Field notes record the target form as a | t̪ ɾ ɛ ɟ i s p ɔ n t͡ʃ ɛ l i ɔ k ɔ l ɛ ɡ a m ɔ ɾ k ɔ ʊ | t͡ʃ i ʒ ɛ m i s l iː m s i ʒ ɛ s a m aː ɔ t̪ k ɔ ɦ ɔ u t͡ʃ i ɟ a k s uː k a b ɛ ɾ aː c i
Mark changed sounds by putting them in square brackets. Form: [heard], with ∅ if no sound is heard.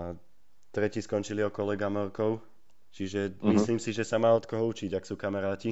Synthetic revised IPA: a | t̪ ɾ ɛ [c] i s [k] ɔ n t͡ʃ [i] l i ɔ k ɔ l ɛ ɡ a m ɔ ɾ k ɔ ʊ | t͡ʃ i ʒ ɛ m i s l iː m s i ʒ ɛ s a m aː ɔ t̪ k ɔ ɦ ɔ u t͡ʃ i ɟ a k s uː k a [m] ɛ ɾ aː c i